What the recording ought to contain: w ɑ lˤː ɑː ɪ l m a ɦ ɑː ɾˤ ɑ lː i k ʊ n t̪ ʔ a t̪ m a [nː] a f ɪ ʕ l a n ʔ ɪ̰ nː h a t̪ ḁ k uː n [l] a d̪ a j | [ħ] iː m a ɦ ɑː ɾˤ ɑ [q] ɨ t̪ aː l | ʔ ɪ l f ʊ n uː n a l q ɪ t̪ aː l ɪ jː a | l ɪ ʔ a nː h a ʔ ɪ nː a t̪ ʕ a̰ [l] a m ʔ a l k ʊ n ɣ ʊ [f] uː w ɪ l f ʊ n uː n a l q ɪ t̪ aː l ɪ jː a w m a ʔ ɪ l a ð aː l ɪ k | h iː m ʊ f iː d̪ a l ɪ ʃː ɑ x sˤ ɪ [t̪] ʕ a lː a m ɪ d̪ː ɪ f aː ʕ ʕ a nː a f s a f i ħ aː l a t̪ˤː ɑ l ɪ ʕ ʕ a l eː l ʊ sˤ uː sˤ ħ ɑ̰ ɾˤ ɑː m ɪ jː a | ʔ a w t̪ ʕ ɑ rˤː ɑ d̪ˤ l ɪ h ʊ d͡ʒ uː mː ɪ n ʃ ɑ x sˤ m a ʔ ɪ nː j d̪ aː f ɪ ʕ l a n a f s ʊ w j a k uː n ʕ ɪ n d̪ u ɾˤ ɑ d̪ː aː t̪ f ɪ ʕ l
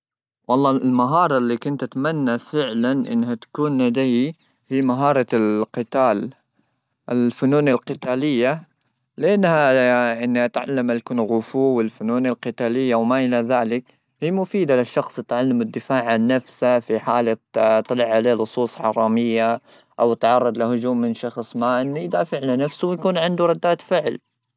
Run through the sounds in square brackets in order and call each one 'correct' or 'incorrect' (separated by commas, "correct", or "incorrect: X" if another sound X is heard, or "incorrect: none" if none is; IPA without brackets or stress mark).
correct, correct, incorrect: h, correct, incorrect: lː, correct, correct